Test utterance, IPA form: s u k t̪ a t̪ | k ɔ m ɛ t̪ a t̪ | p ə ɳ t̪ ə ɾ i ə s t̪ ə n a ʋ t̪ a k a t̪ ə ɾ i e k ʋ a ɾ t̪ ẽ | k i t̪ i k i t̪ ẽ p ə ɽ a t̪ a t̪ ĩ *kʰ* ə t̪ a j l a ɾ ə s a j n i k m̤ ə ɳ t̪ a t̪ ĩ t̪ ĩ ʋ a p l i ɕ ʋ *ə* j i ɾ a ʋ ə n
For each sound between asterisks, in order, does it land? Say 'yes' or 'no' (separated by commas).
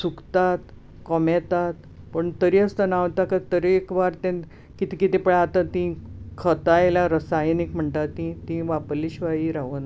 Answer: yes, no